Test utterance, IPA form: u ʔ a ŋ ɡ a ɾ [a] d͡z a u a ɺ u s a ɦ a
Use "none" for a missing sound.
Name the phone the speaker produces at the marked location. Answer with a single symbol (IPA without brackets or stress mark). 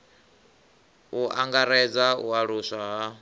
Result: ɛ